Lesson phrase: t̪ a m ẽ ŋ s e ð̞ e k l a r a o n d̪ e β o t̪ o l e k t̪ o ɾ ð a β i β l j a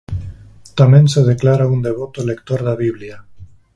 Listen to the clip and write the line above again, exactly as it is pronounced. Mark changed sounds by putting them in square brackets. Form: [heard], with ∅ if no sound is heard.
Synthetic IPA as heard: t̪ a m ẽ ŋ s e ð̞ e k l a [ɾ] a [u] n d̪ e β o t̪ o l e k t̪ o ɾ ð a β i β l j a